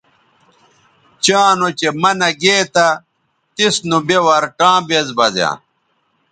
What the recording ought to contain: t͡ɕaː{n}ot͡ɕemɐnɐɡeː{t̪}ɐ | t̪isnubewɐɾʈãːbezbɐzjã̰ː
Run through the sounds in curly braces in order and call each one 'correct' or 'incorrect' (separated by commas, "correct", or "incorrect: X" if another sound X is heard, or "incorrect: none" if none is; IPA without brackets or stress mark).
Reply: correct, correct